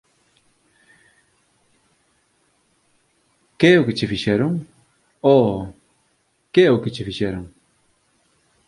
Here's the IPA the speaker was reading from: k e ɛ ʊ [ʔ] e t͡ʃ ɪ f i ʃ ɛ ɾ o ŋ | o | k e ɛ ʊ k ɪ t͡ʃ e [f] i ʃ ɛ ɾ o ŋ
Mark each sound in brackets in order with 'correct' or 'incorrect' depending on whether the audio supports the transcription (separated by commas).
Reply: incorrect, correct